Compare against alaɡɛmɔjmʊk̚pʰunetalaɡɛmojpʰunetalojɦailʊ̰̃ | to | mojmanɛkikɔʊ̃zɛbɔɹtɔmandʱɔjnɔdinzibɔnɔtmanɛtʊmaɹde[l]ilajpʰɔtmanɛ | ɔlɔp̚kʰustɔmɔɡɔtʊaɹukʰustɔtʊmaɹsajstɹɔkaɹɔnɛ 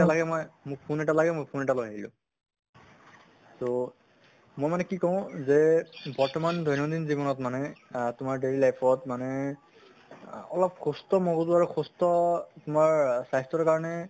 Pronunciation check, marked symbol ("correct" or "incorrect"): incorrect